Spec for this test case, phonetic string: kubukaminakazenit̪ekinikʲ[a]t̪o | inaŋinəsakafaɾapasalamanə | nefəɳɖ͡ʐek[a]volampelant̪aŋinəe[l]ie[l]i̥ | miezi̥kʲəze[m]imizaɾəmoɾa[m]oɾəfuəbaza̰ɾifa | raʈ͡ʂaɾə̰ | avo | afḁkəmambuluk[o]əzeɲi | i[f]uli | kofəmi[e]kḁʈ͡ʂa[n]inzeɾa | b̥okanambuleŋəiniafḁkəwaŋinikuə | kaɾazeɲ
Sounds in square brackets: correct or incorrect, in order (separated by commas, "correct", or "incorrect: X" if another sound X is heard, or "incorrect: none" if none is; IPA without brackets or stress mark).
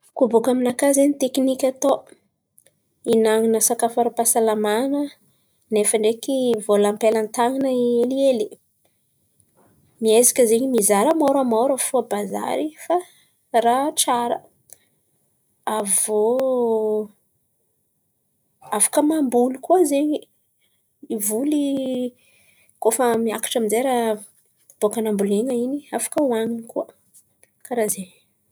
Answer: correct, incorrect: i, correct, correct, incorrect: ɲ, correct, incorrect: u, incorrect: v, incorrect: a, incorrect: m